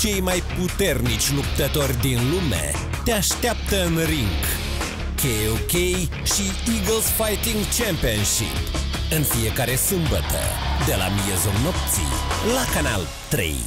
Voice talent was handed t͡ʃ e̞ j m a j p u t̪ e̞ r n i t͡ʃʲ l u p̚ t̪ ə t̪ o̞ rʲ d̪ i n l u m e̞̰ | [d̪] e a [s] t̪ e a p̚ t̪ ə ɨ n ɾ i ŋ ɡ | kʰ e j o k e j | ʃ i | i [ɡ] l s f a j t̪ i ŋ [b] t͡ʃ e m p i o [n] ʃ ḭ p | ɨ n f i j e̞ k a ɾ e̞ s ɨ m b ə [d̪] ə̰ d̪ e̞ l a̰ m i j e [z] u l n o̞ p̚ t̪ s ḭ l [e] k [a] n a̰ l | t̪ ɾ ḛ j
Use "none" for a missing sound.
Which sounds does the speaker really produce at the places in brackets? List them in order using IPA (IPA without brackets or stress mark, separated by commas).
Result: t̪, ʃ, ɡ, ɡ, n, t̪, z, a, a